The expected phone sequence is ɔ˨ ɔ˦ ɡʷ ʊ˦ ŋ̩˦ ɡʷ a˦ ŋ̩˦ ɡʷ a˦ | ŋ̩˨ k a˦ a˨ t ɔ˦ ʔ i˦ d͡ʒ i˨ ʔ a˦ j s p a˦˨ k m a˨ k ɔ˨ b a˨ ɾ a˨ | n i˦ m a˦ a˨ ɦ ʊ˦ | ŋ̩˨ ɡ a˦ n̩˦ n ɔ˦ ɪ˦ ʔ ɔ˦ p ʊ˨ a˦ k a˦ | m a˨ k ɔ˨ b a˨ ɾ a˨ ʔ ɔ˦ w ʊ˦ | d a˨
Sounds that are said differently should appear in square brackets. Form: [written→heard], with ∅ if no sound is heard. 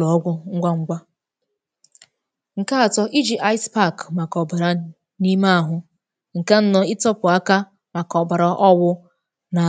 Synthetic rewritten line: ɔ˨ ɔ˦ ɡʷ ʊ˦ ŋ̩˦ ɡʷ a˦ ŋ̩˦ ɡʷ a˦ | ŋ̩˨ k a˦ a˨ t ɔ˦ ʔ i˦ d͡ʒ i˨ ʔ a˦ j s p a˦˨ k m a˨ k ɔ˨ b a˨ ɾ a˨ | n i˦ m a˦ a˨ ɦ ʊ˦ | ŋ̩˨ [ɡ→k] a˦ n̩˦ n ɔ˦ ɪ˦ [ʔ→t] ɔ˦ p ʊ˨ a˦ k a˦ | m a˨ k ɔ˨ b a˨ ɾ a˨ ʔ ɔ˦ w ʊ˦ | [d→n] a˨